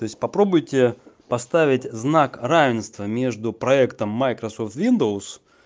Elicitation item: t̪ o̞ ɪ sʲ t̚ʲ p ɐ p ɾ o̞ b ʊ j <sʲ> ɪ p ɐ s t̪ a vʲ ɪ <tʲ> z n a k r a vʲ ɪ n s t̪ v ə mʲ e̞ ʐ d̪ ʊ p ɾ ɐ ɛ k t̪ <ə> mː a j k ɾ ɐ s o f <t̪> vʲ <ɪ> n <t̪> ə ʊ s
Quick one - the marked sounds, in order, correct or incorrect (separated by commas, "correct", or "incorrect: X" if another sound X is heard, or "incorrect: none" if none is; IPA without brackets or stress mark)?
incorrect: tʲ, correct, correct, correct, incorrect: i, incorrect: d̪